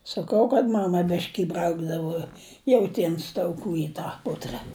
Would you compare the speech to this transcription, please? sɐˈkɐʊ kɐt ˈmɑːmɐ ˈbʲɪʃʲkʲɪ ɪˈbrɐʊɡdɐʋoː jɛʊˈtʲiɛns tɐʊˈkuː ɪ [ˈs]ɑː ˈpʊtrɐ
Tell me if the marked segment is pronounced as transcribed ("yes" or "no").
no